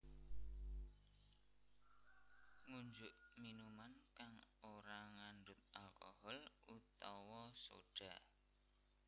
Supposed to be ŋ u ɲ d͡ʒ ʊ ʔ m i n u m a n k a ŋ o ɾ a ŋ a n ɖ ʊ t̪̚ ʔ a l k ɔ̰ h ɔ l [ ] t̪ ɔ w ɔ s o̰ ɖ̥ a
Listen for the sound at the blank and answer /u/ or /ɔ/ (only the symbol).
u